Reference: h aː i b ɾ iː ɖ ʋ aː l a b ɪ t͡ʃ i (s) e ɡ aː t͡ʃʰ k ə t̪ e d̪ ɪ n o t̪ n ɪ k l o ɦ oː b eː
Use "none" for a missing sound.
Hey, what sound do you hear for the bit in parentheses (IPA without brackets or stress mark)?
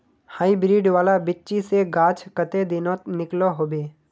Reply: s